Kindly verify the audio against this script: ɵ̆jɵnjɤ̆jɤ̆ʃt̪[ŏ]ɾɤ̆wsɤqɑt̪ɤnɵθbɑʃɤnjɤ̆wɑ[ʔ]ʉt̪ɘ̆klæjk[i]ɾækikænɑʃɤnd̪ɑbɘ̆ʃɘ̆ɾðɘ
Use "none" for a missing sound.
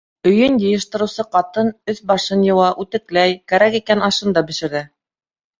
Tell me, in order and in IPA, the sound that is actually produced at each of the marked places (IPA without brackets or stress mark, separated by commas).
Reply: ɤ̆, ʔ, æ